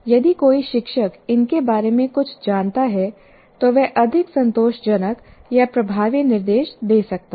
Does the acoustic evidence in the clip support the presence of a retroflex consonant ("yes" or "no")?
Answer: no